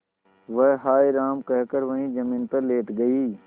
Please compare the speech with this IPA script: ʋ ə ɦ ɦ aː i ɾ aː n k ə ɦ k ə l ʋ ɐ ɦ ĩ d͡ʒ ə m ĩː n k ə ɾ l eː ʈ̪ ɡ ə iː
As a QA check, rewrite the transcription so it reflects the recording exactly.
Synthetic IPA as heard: ʋ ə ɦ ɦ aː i ɾ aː m k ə ɦ k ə ɾ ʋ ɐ ɦ ĩ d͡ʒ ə m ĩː n p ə ɾ l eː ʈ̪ ɡ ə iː